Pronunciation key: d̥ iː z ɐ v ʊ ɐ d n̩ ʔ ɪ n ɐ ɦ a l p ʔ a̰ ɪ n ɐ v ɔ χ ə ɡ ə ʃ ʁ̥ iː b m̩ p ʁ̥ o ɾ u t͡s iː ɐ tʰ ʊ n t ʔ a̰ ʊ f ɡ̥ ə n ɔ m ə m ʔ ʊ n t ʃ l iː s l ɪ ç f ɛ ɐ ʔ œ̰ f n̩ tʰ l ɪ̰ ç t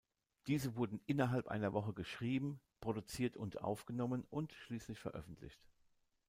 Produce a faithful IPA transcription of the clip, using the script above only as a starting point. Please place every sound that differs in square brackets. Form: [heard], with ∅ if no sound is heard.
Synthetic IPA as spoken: d̥ iː z [ə] v ʊ ɐ d n̩ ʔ ɪ n ɐ ɦ a l p ʔ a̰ ɪ n ɐ v ɔ χ ə ɡ ə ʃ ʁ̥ iː b m̩ p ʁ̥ o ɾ u t͡s iː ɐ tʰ ʊ n t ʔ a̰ ʊ f ɡ̥ ə n ɔ m ə [n] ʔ ʊ n t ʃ l iː s l ɪ ç f ɛ ɐ ʔ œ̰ f n̩ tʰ l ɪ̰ ç t

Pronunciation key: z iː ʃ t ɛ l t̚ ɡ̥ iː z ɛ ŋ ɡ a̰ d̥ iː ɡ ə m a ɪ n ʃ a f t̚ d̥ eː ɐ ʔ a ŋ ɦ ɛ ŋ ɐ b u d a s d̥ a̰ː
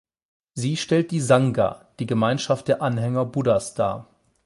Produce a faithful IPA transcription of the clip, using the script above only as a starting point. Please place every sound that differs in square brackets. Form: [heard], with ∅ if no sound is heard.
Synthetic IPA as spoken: z iː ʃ t ɛ l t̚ [d̥] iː z [a] ŋ ɡ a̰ d̥ iː ɡ ə m a ɪ n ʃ a f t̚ d̥ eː ɐ ʔ a [n] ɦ ɛ ŋ ɐ b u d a s d̥ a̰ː

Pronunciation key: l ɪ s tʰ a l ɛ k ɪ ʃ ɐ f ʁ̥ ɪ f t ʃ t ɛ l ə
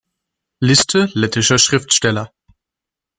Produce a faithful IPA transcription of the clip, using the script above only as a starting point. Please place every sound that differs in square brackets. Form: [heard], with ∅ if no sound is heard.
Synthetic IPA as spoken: l ɪ s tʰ [ə] l ɛ [t] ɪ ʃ ɐ [ʃ] ʁ̥ ɪ f t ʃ t ɛ l [ɐ]

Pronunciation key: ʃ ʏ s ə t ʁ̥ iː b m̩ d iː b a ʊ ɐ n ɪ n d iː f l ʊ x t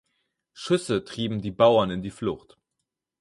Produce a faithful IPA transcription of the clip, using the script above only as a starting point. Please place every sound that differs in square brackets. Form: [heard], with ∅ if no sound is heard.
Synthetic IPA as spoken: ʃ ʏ s ə t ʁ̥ iː b m̩ d iː b a ʊ ɐ n ɪ n d iː f l ʊ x t

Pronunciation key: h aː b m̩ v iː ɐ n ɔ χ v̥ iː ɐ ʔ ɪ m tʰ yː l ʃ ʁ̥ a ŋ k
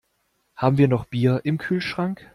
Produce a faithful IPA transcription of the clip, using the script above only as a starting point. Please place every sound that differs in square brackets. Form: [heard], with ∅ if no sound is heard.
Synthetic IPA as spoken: h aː b m̩ v iː ɐ n ɔ χ [b̥] iː ɐ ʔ ɪ m [kʰ] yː l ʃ ʁ̥ a ŋ k

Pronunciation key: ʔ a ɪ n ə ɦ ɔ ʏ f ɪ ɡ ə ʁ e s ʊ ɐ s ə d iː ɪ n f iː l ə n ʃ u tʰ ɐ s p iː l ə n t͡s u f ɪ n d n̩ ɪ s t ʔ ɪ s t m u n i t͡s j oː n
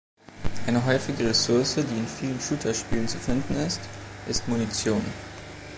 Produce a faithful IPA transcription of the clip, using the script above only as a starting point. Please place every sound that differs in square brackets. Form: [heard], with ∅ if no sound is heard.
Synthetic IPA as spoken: ʔ a ɪ n ə ɦ ɔ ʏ f ɪ ɡ ə ʁ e s ʊ ɐ s ə d iː ɪ n f iː l ə n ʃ u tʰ ɐ [ʃ] p iː l ə n t͡s u f ɪ n d n̩ ɪ s t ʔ ɪ s t m u n i t͡s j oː n

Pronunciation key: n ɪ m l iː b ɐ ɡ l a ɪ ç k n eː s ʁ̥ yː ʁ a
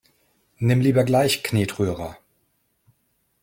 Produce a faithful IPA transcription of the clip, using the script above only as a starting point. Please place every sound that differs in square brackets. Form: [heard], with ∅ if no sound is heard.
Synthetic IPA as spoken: n ɪ m l iː b ɐ ɡ l a ɪ ç k n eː [t] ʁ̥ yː ʁ [ɐ]

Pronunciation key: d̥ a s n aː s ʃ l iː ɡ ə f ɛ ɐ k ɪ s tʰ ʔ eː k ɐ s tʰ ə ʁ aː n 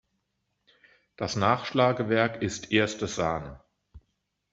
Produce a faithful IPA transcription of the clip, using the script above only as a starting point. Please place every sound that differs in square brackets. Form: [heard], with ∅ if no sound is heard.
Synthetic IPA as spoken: d̥ a s n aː [χ] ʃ l [aː] ɡ ə [v] ɛ ɐ k ɪ s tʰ ʔ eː [∅] ɐ s [t] ə [z] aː n

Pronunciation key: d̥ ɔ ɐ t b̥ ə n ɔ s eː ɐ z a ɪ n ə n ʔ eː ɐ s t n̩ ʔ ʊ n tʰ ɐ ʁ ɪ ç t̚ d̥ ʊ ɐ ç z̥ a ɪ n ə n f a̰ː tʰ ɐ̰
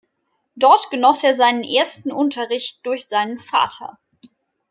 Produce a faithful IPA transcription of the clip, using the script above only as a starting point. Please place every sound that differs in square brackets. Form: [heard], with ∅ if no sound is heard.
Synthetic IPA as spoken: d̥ ɔ ɐ t [ɡ̥] ə n ɔ s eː ɐ z a ɪ n ə n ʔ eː ɐ s t n̩ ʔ ʊ n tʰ ɐ ʁ ɪ ç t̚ d̥ ʊ ɐ ç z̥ a ɪ n ə n f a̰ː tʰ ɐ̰

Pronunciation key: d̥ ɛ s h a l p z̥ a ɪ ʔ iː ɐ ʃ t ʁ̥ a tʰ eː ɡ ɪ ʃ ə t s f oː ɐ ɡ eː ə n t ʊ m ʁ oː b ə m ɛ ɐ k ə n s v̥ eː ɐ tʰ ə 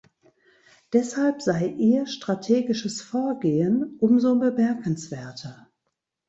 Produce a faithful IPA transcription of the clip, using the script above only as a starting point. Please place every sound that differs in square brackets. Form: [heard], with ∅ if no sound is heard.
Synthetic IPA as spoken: d̥ ɛ s h a l p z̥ a ɪ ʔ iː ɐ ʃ t ʁ̥ a tʰ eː ɡ ɪ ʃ ə [∅] s f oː ɐ ɡ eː ə n [ʔ] ʊ m [z] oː b ə m ɛ ɐ k ə n s v̥ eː ɐ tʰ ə

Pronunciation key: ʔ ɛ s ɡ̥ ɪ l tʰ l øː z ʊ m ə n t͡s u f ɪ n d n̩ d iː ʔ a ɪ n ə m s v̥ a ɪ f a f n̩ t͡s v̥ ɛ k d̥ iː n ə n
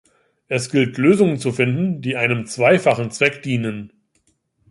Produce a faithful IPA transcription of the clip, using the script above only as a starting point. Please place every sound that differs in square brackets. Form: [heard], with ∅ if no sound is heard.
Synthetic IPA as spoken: ʔ ɛ s ɡ̥ ɪ l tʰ l øː z ʊ [ŋ] ə n t͡s u f ɪ n d n̩ d iː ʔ a ɪ n ə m [t͡s] v̥ a ɪ f a [χ] n̩ t͡s v̥ ɛ k d̥ iː n ə n

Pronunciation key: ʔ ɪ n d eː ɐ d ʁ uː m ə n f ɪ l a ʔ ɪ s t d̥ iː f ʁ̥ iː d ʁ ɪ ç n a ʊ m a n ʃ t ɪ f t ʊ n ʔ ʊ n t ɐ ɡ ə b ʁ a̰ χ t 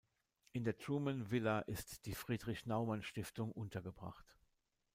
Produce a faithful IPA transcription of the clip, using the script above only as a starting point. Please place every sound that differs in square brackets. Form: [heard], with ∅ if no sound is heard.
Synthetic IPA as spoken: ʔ ɪ n d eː ɐ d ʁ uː m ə n [v] ɪ l a ʔ ɪ s t d̥ iː f ʁ̥ iː d ʁ ɪ ç n a ʊ m a n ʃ t ɪ f t ʊ [ŋ] ʔ ʊ n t ɐ ɡ ə b ʁ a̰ χ t

